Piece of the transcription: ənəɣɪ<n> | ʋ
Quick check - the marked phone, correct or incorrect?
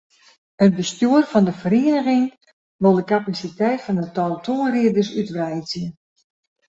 incorrect